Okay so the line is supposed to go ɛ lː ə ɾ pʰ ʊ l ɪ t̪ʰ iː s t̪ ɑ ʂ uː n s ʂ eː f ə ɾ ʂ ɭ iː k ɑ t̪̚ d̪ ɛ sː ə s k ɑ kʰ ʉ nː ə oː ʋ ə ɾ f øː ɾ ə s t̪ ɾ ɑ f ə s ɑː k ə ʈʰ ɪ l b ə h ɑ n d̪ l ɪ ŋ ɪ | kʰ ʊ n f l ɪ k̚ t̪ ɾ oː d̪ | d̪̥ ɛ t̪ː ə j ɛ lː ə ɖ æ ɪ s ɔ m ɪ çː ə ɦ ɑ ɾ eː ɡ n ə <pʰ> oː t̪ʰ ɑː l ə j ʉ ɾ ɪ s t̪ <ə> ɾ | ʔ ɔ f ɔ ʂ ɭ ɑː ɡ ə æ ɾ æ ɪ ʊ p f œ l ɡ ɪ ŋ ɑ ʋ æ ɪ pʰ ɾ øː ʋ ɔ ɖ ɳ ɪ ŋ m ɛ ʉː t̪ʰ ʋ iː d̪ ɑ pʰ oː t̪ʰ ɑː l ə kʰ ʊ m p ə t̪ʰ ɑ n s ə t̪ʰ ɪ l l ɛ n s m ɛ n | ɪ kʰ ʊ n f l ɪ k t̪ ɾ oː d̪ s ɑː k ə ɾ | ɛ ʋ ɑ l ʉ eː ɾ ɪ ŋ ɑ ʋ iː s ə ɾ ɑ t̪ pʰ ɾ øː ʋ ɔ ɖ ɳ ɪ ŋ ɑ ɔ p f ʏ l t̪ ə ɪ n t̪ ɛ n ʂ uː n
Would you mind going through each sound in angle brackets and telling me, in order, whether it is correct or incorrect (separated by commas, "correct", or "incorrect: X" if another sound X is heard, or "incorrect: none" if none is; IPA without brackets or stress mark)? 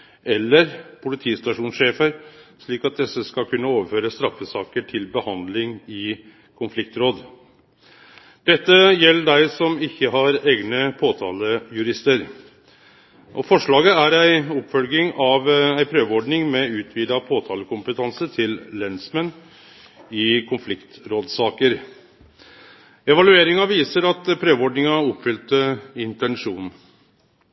correct, correct